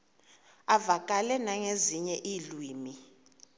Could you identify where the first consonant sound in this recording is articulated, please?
labial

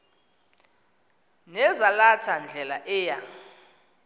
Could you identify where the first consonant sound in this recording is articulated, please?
alveolar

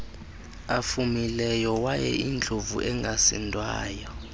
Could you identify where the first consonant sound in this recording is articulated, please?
labial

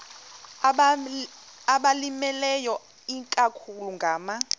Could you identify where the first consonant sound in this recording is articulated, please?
labial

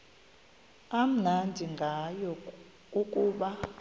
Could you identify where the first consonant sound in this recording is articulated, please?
labial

